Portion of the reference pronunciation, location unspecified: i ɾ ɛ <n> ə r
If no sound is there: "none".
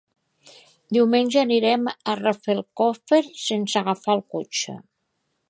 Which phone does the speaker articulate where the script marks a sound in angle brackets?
m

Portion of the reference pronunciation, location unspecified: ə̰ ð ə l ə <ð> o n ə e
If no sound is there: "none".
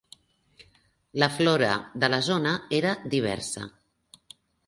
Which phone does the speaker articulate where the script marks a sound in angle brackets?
z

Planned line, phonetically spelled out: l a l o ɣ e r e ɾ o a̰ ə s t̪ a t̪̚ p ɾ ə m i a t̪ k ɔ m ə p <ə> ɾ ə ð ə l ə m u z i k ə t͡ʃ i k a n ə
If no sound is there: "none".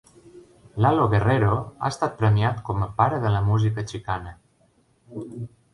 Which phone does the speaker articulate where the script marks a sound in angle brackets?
a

